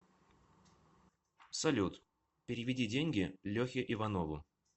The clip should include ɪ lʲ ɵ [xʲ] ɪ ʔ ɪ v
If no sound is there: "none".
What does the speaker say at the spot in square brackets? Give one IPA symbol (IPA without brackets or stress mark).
xʲ